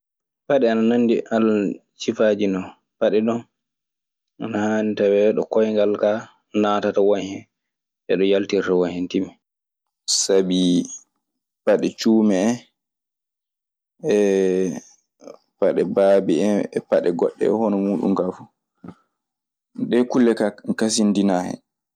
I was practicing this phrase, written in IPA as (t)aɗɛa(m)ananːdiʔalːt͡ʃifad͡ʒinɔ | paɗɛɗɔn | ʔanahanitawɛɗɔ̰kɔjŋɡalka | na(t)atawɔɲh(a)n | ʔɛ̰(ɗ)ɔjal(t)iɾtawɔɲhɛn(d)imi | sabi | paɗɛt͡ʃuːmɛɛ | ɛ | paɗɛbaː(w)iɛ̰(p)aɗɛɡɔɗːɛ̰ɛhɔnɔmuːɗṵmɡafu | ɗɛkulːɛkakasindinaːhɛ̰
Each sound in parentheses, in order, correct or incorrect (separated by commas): incorrect, incorrect, correct, incorrect, correct, correct, incorrect, incorrect, correct